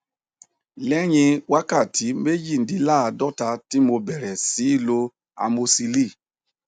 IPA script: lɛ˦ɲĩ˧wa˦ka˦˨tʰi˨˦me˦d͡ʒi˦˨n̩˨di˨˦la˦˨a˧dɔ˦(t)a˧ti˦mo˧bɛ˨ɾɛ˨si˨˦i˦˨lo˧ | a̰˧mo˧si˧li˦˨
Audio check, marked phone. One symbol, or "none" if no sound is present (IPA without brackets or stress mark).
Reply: t